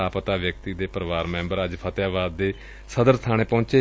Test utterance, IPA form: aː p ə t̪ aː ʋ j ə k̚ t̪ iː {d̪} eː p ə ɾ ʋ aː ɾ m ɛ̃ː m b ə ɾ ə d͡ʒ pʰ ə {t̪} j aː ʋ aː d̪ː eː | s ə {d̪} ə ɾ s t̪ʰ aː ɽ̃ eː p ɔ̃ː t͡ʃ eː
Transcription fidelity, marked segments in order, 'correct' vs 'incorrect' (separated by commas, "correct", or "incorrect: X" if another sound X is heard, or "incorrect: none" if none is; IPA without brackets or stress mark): correct, correct, correct